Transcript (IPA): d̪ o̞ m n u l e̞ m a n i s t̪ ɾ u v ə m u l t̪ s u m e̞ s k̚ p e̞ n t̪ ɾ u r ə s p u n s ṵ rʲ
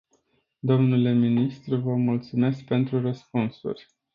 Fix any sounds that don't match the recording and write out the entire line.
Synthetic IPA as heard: d̪ o̞ m n u l e̞ m i n i s t̪ ɾ u v ə m u l t̪ s u m e̞ s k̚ p e̞ n t̪ ɾ u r ə s p u n s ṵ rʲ